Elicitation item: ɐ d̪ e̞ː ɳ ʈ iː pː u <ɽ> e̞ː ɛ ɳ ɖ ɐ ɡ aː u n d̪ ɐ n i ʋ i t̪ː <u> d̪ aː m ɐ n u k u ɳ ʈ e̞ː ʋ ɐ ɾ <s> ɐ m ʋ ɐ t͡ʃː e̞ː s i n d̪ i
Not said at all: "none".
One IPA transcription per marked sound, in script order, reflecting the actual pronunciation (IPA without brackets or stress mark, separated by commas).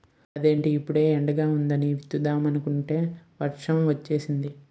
ɽ, u, ʂ